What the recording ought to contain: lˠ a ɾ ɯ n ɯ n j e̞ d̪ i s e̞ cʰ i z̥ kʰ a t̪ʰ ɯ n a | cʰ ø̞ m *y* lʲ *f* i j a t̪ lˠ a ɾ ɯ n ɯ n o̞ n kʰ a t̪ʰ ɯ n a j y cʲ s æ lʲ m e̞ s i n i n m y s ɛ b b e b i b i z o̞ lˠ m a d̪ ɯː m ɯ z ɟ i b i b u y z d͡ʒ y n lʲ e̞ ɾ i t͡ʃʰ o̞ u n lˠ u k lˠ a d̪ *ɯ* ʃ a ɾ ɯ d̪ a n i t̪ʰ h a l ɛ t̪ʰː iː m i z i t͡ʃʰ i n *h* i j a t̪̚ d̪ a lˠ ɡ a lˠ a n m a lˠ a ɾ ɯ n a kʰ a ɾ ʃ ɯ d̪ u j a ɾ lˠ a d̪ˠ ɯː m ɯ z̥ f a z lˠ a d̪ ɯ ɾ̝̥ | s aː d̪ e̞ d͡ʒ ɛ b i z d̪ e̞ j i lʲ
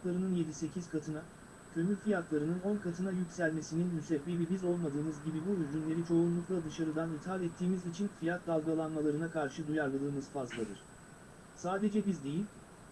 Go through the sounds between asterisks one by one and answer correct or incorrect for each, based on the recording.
correct, correct, correct, incorrect

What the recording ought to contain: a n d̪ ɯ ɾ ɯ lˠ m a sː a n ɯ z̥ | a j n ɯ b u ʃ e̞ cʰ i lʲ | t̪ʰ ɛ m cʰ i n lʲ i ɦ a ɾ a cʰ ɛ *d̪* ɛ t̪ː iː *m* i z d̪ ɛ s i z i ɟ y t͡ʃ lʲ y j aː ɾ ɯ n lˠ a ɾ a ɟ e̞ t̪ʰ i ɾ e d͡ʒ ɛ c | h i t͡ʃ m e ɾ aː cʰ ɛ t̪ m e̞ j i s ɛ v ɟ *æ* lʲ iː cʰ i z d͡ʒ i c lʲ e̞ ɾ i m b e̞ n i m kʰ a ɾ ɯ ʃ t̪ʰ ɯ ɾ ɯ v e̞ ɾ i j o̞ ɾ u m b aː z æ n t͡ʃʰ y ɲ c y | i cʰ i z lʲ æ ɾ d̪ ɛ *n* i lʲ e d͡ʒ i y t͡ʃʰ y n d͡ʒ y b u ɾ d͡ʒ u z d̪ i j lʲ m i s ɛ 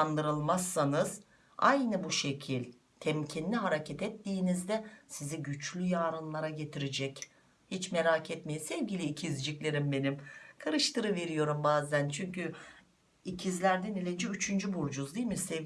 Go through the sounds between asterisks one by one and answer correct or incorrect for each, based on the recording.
incorrect, incorrect, incorrect, correct

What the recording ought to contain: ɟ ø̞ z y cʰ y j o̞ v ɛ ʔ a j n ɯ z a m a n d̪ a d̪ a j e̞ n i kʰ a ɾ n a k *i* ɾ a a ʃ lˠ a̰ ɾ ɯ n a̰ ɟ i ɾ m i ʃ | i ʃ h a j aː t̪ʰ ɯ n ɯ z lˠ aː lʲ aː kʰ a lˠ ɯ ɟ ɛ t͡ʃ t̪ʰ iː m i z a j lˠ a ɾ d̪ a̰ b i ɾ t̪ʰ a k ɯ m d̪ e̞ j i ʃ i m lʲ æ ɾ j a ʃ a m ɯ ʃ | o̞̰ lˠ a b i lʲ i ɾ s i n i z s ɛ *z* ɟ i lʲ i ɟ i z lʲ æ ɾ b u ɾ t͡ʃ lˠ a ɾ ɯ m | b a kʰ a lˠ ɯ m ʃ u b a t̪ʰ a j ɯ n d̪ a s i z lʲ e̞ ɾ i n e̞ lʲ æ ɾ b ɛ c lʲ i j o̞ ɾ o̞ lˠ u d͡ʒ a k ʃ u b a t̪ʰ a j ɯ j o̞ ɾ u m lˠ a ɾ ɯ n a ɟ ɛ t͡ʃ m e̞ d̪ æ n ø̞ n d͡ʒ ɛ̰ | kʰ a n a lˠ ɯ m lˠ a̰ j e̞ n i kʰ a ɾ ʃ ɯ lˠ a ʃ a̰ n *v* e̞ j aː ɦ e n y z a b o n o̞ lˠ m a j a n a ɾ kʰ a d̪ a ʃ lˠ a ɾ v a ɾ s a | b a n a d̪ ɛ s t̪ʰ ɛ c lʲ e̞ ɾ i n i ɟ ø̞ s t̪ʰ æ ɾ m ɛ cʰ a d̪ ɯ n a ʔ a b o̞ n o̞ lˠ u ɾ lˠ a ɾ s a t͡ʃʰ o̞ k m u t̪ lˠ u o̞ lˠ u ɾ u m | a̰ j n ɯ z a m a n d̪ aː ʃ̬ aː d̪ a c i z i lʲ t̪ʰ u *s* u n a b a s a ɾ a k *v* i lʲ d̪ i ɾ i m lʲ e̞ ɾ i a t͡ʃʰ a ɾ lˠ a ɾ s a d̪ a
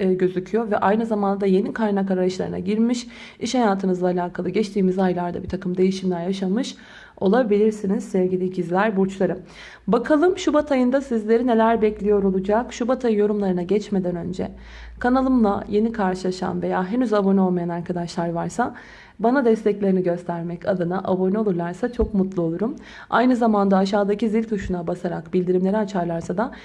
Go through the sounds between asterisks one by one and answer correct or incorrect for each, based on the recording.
incorrect, incorrect, correct, incorrect, incorrect

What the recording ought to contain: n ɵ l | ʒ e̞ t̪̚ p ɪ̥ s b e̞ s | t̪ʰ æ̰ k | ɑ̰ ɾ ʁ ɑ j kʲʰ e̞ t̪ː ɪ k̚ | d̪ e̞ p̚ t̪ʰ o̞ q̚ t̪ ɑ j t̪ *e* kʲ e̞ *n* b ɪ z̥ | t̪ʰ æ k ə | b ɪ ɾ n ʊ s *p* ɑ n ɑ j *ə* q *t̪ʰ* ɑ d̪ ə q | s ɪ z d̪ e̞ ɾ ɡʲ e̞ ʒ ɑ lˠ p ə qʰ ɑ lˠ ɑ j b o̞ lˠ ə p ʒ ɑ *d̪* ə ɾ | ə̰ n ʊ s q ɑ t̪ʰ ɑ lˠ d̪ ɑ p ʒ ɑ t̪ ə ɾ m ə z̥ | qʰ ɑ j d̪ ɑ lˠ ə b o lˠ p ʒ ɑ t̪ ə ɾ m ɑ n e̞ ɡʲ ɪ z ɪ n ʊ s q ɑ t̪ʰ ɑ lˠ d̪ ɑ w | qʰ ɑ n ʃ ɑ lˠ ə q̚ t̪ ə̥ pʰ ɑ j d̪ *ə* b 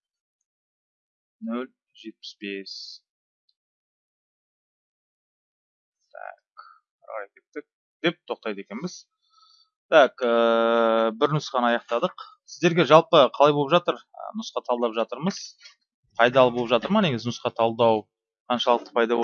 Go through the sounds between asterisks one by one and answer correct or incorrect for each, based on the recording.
correct, correct, incorrect, incorrect, incorrect, incorrect, incorrect

